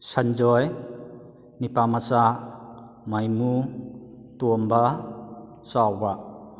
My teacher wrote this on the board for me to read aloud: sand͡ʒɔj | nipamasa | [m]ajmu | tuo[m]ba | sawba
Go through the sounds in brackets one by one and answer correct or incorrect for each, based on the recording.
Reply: correct, correct

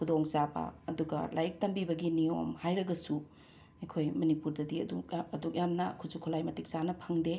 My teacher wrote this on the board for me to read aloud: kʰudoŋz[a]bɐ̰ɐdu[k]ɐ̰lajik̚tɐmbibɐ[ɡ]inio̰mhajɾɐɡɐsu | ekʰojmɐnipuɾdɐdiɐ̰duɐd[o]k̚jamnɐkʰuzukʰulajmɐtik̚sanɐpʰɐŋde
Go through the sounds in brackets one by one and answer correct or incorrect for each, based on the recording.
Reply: correct, incorrect, correct, incorrect

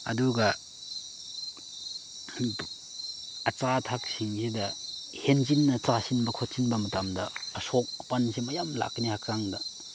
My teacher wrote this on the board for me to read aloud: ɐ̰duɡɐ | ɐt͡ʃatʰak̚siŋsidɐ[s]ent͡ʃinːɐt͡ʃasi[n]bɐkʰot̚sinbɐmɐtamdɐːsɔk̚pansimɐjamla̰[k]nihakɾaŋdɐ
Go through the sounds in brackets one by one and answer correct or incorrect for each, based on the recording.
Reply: incorrect, correct, correct

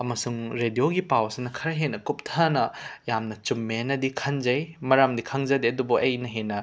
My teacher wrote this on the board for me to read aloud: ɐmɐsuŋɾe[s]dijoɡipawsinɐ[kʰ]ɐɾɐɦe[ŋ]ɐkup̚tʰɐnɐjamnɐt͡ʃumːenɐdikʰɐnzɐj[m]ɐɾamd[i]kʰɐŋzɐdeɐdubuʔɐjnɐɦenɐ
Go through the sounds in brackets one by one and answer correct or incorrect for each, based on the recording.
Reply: incorrect, correct, incorrect, correct, correct

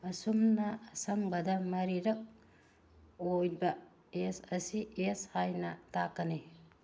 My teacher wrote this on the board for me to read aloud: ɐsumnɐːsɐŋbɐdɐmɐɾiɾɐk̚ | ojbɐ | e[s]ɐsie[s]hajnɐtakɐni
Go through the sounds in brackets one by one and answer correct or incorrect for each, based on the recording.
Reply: correct, correct

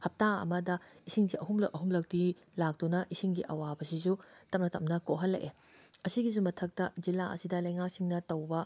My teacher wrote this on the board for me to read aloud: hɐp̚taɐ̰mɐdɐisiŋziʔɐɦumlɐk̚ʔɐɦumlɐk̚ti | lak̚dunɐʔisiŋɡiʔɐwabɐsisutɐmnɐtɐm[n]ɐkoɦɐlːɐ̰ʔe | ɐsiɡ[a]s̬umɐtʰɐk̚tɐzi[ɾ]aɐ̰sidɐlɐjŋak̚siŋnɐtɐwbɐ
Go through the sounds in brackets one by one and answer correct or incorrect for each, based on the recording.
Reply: correct, incorrect, incorrect

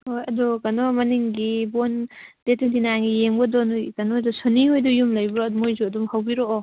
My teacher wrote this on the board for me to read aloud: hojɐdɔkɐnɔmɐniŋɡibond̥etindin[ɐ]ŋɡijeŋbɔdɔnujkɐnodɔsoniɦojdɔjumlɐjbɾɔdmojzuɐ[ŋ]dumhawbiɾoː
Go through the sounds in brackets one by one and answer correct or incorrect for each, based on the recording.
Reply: incorrect, incorrect

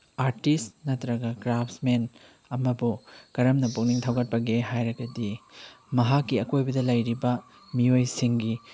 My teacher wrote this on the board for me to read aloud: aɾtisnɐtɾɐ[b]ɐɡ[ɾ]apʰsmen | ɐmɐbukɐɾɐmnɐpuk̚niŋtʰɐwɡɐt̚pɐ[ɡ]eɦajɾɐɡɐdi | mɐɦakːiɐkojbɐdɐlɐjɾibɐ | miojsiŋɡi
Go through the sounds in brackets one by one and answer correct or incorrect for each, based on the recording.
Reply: incorrect, correct, correct

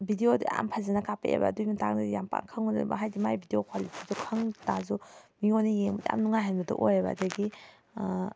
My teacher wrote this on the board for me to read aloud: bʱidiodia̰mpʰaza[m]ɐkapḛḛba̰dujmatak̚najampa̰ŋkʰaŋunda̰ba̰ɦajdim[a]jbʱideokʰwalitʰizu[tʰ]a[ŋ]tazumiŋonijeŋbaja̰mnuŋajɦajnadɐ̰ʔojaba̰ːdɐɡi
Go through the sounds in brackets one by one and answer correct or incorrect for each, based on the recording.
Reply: incorrect, correct, incorrect, correct

